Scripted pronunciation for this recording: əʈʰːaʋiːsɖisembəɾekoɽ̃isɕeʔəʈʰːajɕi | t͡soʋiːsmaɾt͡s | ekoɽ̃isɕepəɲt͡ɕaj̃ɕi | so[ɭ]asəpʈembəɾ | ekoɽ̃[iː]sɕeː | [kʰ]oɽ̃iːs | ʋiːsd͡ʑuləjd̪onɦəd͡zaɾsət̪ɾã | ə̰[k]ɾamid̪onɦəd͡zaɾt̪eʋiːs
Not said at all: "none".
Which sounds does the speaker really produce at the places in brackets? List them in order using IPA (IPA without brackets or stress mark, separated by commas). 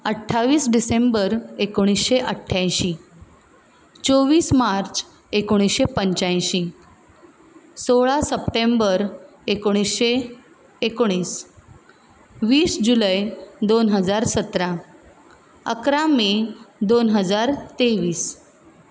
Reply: ɭ, i, k, k